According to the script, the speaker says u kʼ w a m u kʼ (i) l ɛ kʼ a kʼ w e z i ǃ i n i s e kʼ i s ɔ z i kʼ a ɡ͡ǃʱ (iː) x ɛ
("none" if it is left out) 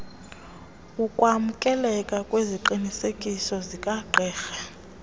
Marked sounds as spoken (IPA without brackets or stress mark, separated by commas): ɛ, ɛː